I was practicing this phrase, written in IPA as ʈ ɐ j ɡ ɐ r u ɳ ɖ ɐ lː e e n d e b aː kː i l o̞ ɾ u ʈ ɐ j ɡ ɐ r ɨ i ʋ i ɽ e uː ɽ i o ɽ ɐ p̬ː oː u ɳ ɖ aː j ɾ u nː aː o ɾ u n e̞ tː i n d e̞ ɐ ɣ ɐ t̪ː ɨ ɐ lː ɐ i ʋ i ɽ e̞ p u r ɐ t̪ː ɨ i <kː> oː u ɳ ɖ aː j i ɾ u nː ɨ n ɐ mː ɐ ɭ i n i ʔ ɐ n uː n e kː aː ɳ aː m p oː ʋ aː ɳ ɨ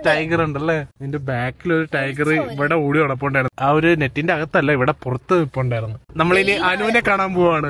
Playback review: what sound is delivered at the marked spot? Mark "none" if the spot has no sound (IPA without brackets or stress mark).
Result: pː